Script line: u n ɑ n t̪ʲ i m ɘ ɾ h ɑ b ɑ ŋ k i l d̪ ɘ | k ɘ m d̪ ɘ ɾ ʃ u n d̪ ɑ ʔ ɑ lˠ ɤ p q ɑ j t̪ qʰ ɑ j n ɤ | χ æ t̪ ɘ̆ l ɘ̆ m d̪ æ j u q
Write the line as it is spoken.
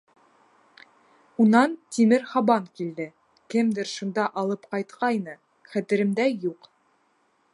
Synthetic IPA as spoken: u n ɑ n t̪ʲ i m ɘ ɾ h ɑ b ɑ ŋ k i l d̪ ɘ | k ɘ m d̪ ɘ ɾ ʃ u n d̪ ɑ ʔ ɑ lˠ ɤ p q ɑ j t̪ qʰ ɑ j n ɤ | χ æ t̪ ɘ̆ ɾ ɘ̆ m d̪ æ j u q